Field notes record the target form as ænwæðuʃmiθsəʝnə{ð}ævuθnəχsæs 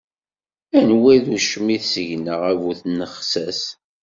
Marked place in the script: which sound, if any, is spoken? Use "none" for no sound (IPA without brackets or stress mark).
ʁ